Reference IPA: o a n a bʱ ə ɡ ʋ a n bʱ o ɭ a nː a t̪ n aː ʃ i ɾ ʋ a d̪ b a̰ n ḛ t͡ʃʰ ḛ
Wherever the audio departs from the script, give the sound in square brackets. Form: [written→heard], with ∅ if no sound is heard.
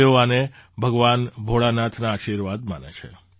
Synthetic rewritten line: o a n [a→e] bʱ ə ɡ ʋ a n bʱ o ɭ a [nː→n] a [t̪→t̪ʰ] n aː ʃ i ɾ ʋ a d̪ [b→m] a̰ n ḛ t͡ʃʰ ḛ